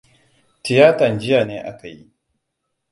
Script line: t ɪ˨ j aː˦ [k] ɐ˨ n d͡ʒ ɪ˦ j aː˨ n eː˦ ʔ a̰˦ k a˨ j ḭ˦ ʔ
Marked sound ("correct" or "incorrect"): incorrect